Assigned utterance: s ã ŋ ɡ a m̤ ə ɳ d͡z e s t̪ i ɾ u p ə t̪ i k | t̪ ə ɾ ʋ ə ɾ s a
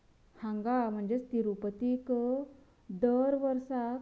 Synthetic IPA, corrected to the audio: h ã ŋ ɡ a m̤ ə ɳ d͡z e s t̪ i ɾ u p ə t̪ i k | d̪ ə ɾ ʋ ə ɾ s a